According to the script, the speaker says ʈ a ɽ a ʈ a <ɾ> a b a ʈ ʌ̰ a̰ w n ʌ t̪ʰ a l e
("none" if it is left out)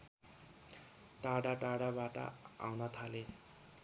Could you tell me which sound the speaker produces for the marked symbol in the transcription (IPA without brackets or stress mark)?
ɽ